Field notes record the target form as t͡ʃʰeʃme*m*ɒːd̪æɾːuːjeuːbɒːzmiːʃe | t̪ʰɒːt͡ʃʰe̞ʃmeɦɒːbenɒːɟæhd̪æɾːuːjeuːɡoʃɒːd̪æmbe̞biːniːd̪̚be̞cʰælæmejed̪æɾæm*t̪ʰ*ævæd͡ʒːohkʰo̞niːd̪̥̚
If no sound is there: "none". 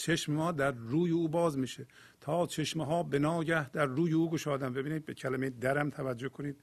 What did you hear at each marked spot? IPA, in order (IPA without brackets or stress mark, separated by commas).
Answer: m, t̪ʰ